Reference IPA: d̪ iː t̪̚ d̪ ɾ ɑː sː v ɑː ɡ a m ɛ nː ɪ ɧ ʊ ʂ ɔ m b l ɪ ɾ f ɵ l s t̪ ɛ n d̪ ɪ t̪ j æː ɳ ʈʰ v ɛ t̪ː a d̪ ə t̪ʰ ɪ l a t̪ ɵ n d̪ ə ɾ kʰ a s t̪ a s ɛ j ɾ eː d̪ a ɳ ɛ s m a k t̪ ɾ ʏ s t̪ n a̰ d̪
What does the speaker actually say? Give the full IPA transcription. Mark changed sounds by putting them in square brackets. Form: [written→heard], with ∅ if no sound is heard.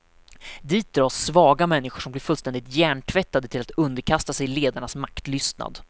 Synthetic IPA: d̪ iː t̪̚ d̪ ɾ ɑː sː v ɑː ɡ a m ɛ nː ɪ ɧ ʊ ʂ ɔ m b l ɪ ɾ f ɵ l s t̪ ɛ n d̪ ɪ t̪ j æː ɳ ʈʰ v ɛ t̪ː a d̪ ə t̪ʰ ɪ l a t̪ ɵ n d̪ ə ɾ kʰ a s t̪ a s ɛ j [ɾ→l] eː d̪ a ɳ [ɛ→a] s m a k t̪ [ɾ→l] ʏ s t̪ n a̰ d̪